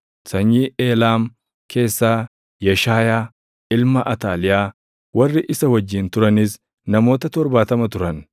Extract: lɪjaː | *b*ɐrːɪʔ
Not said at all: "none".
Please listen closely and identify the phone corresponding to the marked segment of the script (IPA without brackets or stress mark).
w